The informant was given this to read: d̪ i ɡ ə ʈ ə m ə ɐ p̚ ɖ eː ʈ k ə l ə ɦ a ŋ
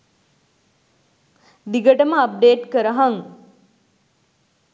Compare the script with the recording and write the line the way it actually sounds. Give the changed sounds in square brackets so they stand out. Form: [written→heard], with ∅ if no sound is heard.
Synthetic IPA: d̪ i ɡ ə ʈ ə m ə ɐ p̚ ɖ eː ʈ k ə [l→ɾ] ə ɦ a ŋ